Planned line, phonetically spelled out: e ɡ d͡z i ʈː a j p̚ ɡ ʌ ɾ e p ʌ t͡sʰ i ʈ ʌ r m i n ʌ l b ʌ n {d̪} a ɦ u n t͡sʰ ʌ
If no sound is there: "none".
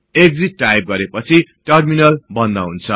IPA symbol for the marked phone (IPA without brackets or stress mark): d̪